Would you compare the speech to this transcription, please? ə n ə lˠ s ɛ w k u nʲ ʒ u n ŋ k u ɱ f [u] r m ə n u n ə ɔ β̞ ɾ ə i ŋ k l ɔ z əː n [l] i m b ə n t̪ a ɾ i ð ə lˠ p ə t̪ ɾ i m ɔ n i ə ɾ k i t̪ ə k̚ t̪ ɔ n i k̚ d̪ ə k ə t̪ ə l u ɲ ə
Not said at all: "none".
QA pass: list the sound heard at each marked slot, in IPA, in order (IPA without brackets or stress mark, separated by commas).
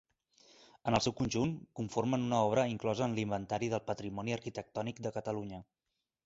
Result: o, l